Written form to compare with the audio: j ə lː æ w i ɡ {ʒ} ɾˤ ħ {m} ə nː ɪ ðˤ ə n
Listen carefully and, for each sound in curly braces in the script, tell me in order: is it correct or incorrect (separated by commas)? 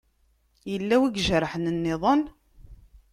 correct, incorrect